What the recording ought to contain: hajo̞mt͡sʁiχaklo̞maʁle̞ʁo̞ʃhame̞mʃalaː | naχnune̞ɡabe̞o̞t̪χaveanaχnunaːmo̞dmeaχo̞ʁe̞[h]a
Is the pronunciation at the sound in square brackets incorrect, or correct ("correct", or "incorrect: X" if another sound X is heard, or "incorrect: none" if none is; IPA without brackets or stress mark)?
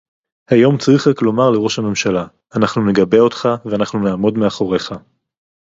incorrect: χ